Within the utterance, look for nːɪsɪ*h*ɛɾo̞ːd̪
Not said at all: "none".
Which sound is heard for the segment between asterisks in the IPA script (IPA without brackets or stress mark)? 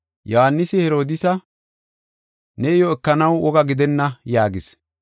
h